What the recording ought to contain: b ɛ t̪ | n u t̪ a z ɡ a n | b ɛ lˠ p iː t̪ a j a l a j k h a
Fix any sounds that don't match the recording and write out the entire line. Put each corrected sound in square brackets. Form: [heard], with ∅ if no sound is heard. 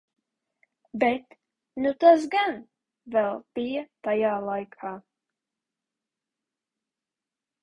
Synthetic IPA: b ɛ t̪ | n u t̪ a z ɡ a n | [v] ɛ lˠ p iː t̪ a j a l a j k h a